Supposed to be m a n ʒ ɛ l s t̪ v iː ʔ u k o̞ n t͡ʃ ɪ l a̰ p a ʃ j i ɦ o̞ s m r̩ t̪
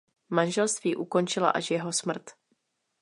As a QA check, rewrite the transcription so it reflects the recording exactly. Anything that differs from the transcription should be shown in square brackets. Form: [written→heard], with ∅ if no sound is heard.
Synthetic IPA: m a n ʒ ɛ l s t̪ v iː ʔ u k o̞ n t͡ʃ ɪ l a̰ [p→ʔ] a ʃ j [i→ɛ] ɦ o̞ s m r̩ t̪